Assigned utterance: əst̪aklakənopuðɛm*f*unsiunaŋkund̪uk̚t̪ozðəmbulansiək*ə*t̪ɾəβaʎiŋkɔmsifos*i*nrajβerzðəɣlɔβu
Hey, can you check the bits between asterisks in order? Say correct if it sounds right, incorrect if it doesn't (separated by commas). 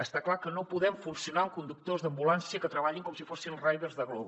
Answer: correct, correct, correct